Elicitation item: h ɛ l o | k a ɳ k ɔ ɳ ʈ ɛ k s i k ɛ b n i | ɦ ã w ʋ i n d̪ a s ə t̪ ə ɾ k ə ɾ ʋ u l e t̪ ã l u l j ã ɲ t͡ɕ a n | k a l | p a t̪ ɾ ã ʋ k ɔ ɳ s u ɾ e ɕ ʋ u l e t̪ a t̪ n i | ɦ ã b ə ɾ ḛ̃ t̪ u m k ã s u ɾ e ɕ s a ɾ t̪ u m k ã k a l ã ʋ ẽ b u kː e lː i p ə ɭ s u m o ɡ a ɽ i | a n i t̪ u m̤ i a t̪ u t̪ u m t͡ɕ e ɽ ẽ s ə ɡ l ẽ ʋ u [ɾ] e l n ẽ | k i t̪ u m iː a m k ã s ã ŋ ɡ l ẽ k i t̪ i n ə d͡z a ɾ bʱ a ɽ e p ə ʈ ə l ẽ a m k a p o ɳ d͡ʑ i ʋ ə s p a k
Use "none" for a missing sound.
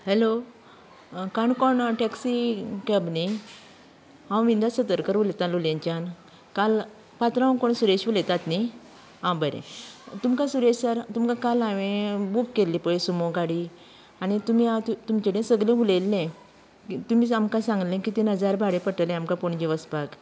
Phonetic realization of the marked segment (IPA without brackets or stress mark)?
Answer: l